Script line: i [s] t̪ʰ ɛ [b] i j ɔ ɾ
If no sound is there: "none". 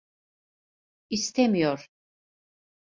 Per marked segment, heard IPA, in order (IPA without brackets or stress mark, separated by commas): s, m